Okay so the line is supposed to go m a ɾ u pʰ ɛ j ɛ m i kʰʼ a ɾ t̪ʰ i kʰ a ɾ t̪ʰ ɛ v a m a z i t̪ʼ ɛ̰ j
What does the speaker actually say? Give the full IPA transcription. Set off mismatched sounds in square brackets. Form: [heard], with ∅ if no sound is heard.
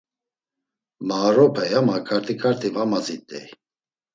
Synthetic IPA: m a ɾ [ɔ] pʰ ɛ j [a] m [a] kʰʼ a ɾ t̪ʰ i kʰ a ɾ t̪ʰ [i] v a m a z i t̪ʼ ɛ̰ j

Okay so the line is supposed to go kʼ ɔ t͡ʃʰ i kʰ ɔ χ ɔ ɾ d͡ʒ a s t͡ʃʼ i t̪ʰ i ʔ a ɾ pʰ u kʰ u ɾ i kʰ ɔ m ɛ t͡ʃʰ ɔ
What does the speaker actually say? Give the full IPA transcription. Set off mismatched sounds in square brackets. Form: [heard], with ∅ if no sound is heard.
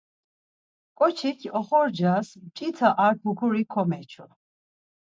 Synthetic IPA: kʼ ɔ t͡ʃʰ i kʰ ɔ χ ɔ ɾ d͡ʒ a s t͡ʃʼ i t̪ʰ [a] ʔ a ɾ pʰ u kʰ u ɾ i kʰ ɔ m ɛ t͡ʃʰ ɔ

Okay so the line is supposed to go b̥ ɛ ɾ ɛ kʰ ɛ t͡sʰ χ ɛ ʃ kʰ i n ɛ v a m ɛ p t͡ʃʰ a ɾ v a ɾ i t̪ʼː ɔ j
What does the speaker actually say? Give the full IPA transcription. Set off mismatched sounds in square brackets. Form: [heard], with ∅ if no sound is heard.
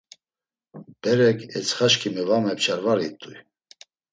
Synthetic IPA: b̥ ɛ ɾ ɛ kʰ ɛ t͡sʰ χ [a] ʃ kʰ i [m] ɛ v a m ɛ p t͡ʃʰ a ɾ v a ɾ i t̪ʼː [u] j

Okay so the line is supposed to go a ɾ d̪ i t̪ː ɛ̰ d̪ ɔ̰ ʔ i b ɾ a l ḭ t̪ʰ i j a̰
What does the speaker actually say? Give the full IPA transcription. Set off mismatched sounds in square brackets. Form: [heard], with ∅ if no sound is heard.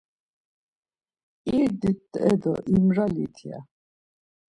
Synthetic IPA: [i] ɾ d̪ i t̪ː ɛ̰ d̪ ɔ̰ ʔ i [m] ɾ a l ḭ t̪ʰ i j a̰

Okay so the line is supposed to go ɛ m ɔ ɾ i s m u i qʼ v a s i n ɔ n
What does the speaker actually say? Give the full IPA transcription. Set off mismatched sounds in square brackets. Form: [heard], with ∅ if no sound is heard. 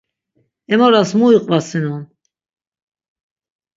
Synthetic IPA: ɛ m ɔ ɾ [a] s m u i qʼ v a s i n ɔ n

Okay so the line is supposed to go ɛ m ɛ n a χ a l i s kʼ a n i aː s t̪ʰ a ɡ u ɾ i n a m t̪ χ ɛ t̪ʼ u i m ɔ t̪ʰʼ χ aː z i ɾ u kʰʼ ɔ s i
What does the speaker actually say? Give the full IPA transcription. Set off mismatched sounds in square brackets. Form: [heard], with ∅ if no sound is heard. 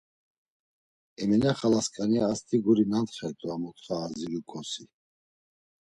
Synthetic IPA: ɛ m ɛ n a χ a l [a] s kʼ a n i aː s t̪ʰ [i] ɡ u ɾ i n a [n] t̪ χ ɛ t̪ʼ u [a] m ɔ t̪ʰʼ χ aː z i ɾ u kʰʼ ɔ s i

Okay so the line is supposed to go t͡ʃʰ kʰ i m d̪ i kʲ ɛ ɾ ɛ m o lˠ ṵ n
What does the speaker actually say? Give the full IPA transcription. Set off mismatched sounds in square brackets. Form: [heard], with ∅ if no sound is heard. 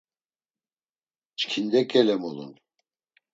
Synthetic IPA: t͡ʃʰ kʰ i [n] d̪ [ɛ] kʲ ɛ [l] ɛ m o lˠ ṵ n

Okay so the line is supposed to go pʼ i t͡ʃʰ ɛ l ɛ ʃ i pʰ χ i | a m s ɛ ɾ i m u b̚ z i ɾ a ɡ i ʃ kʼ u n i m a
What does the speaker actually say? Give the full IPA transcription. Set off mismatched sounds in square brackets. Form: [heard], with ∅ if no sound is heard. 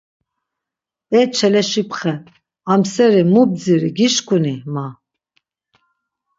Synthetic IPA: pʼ [ɛ] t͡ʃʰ ɛ l ɛ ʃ i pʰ χ [ɛ] | a m s ɛ ɾ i m u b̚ [d͡z] i ɾ [i] ɡ i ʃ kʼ u n i m a

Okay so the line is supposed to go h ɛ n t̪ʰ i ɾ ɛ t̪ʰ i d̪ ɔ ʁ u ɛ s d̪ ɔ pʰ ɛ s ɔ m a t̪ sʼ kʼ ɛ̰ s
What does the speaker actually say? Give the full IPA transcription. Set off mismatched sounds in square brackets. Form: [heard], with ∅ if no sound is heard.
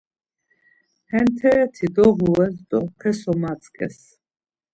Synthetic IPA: h ɛ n t̪ʰ [ɛ] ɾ ɛ t̪ʰ i d̪ ɔ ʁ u ɛ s d̪ ɔ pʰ ɛ s ɔ m a t̪ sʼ kʼ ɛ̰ s

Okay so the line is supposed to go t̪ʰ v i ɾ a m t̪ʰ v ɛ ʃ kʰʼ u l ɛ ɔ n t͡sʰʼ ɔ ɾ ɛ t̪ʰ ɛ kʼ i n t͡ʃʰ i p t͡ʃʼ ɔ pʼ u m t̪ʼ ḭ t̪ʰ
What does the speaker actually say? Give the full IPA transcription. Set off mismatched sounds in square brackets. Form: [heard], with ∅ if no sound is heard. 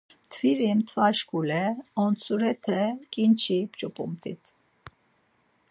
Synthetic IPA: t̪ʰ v i ɾ [i] m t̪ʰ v [a] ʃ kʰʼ u l ɛ ɔ n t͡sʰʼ [u] ɾ ɛ t̪ʰ ɛ kʼ i n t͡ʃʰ i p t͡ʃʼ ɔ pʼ u m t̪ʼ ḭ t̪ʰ

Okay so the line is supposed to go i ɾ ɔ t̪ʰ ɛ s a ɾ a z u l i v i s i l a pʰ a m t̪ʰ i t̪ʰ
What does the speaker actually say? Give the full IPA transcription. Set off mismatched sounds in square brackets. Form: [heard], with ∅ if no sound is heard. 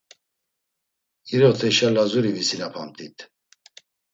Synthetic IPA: i ɾ ɔ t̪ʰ ɛ [ʃ] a [l] a z u [ɾ] i v i s i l a pʰ a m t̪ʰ i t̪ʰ

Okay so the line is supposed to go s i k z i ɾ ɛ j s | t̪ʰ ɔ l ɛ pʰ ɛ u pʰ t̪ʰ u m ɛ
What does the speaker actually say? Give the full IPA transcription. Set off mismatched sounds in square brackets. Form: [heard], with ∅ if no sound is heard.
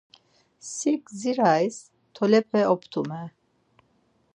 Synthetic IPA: s i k z i ɾ [a] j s | t̪ʰ ɔ l ɛ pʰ ɛ [ɔ] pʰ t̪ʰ u m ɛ

